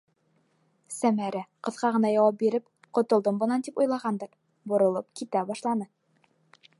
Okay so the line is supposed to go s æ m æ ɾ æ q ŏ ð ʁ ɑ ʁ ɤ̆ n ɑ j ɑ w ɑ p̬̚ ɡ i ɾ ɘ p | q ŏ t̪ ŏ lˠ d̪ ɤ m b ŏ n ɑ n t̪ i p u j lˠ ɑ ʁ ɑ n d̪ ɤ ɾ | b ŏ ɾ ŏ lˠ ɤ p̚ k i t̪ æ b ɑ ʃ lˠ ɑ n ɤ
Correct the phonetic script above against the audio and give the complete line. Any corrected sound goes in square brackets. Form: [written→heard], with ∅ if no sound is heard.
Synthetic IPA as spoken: s æ m æ ɾ æ q [ŏ→ɤ̆] ð ʁ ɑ ʁ ɤ̆ n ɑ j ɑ w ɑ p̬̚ [ɡ→b] i ɾ ɘ p | q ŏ t̪ ŏ lˠ d̪ ɤ m b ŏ n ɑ n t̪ i p u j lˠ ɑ ʁ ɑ n d̪ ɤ ɾ | b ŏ ɾ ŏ lˠ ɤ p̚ k i t̪ æ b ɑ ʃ lˠ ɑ n ɤ